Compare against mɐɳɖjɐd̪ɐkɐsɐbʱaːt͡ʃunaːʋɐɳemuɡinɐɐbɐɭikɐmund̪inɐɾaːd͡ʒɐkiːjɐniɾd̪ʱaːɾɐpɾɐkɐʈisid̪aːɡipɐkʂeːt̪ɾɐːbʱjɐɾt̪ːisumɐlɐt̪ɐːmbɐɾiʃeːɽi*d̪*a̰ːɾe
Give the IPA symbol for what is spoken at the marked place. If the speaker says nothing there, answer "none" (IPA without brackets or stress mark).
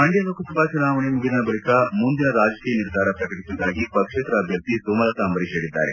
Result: d̪ː